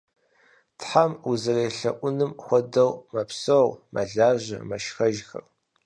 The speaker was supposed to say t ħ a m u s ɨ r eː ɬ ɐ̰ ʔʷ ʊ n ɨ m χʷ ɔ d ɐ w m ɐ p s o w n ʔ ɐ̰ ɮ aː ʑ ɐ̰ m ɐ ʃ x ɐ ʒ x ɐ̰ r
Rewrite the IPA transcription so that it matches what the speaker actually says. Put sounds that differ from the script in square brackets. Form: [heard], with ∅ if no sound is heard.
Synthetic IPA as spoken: t ħ a m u [z] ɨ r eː ɬ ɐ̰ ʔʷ ʊ n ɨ m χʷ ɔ d ɐ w m ɐ p s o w [m] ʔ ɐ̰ ɮ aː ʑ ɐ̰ m ɐ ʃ x ɐ ʒ x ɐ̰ r